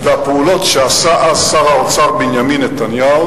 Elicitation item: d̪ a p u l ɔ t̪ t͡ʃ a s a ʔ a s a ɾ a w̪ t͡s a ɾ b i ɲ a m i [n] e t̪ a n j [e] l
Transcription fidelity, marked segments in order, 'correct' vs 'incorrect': correct, incorrect: a

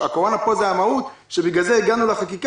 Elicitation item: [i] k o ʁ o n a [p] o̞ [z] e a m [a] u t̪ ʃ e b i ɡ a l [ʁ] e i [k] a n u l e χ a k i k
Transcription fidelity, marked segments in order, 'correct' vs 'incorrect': incorrect: a, correct, correct, correct, incorrect: z, incorrect: ɡ

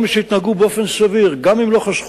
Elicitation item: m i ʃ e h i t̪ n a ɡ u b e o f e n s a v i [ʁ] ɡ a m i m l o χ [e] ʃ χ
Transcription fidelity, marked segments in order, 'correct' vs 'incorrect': correct, incorrect: a

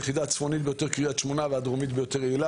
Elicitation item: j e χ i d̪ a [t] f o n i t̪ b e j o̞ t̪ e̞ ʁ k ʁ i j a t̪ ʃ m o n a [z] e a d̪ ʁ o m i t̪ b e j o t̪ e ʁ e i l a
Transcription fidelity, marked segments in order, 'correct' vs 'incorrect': incorrect: t͡s, incorrect: v

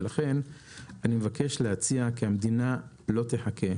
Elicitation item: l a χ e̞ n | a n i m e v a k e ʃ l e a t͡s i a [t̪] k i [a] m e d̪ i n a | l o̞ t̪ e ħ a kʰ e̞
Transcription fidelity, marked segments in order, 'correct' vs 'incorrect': incorrect: none, correct

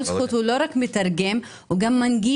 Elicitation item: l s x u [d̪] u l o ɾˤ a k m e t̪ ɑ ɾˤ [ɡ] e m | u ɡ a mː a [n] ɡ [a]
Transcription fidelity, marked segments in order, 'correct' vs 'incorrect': incorrect: t̪, correct, correct, incorrect: i

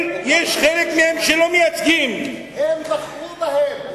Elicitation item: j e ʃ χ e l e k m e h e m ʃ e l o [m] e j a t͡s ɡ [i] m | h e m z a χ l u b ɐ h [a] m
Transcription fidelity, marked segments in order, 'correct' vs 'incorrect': correct, correct, incorrect: e

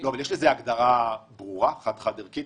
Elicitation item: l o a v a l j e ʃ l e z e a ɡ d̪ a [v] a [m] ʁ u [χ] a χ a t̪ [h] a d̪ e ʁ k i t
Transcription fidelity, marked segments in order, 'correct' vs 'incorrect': incorrect: ʁ, incorrect: b, incorrect: ʁ, incorrect: χ

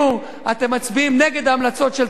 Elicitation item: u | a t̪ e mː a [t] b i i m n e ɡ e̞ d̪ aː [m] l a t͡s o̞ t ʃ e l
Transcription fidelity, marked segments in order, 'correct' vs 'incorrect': incorrect: t͡s, correct

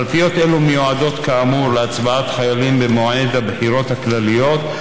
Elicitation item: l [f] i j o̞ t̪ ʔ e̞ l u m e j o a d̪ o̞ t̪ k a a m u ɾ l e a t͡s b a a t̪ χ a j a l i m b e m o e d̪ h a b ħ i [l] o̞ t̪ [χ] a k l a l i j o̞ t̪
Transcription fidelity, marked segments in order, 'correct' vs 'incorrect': correct, incorrect: ɾ, incorrect: h

